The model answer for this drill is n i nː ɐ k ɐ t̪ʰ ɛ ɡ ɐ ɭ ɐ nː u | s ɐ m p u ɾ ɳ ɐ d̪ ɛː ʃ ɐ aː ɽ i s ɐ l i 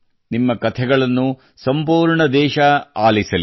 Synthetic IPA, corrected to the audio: n i mː ɐ k ɐ t̪ʰ ɛ ɡ ɐ ɭ ɐ nː u | s ɐ m p uː ɾ ɳ ɐ d̪ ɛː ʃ ɐ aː l i s ɐ l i